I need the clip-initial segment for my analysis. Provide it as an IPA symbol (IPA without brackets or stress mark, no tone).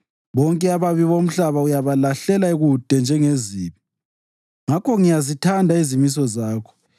β